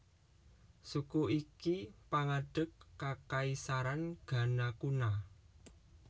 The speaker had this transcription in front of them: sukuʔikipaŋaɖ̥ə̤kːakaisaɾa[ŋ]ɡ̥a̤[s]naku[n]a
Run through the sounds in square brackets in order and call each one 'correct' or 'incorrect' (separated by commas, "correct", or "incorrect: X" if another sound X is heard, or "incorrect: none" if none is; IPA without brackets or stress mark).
incorrect: n, incorrect: none, correct